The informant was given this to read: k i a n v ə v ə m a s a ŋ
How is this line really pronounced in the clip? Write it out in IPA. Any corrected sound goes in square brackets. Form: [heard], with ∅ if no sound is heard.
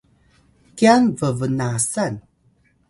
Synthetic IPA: k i a n v ə v ə [n] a s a [n]

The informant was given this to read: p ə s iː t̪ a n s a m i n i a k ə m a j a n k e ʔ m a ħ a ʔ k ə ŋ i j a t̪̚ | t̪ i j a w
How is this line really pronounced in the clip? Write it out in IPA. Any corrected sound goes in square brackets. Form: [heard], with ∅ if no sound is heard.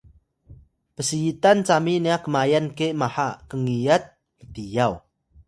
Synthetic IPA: p ə s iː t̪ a n [t͡s] a m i n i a k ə m a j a n k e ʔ m a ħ a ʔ k ə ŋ i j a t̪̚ | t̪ i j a w

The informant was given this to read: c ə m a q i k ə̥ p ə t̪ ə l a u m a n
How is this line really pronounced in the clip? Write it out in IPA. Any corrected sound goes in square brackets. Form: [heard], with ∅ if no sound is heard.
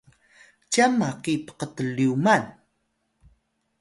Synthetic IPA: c [a] m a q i [p] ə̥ [q] ə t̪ ə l [i] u m a n

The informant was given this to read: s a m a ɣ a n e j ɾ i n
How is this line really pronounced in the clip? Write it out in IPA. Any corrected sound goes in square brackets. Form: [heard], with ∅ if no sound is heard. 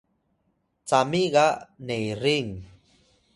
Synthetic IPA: [t͡s] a m [i] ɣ a n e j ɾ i [ŋ]

